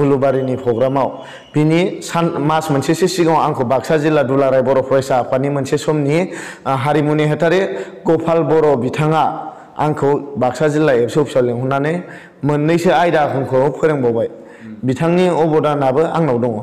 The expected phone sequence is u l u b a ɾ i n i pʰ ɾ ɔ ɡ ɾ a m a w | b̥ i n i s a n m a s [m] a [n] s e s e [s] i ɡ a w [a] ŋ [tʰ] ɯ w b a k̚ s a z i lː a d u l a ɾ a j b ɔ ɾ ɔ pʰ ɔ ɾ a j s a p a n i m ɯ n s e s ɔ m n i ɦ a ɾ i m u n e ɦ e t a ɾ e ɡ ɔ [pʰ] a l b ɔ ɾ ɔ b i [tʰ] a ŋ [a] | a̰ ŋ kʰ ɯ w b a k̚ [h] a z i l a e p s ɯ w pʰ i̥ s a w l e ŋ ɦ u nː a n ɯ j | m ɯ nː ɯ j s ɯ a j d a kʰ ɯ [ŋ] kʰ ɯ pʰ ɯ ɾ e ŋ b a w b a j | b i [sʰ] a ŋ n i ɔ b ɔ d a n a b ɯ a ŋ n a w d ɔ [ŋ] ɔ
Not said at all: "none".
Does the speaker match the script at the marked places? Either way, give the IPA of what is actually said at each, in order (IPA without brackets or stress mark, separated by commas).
m, n, s, a, kʰ, pʰ, tʰ, a, s, ŋ, tʰ, ŋ